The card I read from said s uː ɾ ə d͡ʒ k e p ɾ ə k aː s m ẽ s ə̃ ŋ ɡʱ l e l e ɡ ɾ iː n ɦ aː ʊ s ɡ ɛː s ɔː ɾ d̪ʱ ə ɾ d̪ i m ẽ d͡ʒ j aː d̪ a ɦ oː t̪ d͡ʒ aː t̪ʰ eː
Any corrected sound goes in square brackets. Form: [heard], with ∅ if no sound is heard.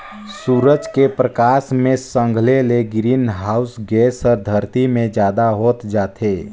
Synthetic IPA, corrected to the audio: s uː ɾ ə d͡ʒ k e p ɾ ə k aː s m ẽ s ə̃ ŋ ɡʱ l e l e ɡ ɾ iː n ɦ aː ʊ s ɡ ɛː s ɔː ɾ d̪ʱ ə ɾ [t̪] i m ẽ d͡ʒ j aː d̪ a ɦ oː t̪ d͡ʒ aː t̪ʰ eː